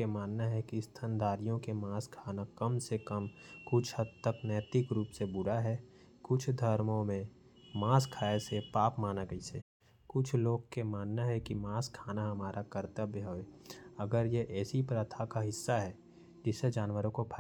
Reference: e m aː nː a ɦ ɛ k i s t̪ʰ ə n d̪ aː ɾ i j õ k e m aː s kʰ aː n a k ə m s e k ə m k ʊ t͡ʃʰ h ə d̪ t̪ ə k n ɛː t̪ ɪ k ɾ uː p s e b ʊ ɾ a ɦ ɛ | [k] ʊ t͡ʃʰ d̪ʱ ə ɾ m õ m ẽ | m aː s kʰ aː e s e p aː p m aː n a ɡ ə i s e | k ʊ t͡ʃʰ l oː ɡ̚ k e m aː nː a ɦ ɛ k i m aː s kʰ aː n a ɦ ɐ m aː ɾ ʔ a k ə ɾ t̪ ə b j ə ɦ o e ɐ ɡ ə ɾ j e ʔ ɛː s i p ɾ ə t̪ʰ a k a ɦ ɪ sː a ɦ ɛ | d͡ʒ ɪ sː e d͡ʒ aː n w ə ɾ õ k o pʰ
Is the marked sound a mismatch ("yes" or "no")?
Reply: no